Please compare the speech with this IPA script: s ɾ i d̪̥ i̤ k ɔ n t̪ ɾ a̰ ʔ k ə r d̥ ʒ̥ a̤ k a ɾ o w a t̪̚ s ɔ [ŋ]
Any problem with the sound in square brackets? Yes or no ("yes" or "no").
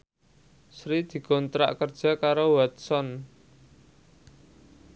yes